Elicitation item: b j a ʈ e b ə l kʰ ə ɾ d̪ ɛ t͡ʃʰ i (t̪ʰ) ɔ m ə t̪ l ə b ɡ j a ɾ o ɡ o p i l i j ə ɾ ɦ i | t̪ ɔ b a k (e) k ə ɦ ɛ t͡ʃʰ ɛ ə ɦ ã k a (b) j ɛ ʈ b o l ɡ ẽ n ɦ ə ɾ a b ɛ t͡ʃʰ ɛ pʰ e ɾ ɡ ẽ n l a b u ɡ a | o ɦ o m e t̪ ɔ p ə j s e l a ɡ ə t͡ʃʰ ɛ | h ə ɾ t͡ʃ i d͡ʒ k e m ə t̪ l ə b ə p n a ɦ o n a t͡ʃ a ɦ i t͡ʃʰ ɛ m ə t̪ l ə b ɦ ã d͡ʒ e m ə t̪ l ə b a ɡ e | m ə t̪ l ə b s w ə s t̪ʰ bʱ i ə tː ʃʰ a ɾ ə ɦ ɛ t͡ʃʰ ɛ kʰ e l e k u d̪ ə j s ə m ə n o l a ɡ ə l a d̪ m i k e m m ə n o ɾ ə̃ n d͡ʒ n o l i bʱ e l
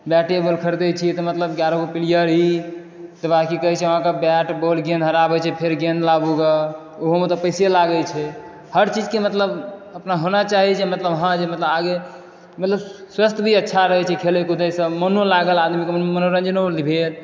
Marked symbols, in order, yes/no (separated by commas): no, no, yes